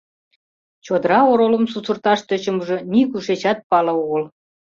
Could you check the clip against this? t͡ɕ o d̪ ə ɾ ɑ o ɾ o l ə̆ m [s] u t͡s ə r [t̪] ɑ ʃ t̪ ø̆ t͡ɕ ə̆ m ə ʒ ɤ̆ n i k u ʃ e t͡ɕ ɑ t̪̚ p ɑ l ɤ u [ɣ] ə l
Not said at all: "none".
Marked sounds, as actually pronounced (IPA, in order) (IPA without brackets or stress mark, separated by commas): s, t̪, ɣ